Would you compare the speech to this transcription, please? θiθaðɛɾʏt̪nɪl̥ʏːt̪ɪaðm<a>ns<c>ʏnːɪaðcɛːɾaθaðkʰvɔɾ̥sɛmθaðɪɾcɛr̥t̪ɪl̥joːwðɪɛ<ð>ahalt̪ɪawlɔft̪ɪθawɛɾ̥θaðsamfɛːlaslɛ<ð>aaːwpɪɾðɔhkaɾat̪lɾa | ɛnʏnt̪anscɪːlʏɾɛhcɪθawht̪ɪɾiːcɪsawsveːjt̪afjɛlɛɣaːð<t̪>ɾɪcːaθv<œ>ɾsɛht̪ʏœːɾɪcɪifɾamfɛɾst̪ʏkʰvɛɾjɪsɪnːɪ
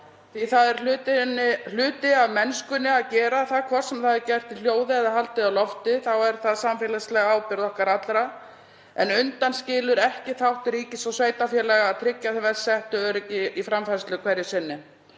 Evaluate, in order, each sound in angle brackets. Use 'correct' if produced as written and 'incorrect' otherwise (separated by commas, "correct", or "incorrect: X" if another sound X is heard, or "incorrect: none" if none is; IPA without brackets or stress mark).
incorrect: ɛ, incorrect: k, correct, incorrect: ɣ, incorrect: t̪ʰ, incorrect: ɛ